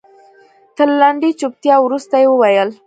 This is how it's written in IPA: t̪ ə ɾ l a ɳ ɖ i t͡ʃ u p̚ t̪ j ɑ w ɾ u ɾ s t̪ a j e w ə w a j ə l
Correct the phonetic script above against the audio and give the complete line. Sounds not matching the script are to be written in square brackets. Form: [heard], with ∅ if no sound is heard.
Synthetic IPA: t̪ ə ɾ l a ɳ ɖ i t͡ʃ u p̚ t̪ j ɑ w ɾ u [∅] s t̪ a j e w ə w a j ə l